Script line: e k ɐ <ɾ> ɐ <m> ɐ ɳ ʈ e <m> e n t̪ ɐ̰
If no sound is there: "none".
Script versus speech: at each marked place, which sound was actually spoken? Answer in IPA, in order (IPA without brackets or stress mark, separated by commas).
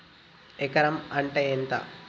ɾ, m, none